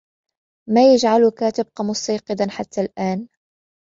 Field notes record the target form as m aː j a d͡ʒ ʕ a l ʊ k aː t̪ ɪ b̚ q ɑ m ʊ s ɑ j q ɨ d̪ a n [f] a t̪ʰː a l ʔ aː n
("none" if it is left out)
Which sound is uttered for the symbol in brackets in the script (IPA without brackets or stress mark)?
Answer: ħ